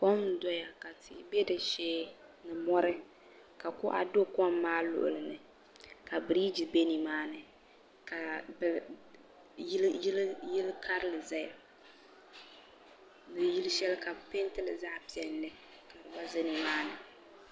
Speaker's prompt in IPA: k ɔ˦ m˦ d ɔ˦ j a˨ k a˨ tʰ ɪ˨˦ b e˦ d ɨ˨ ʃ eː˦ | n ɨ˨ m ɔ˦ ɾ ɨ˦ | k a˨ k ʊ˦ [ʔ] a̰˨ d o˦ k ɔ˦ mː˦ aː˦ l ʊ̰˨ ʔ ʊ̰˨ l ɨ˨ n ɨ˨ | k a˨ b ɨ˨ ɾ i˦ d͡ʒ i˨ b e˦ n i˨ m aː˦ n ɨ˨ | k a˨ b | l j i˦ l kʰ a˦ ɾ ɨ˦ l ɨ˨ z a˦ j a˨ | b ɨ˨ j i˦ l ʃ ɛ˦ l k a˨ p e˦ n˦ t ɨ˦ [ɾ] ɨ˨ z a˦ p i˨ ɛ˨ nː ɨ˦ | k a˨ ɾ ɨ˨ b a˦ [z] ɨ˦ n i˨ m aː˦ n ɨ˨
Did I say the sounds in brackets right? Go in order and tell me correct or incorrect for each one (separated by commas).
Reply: correct, incorrect, correct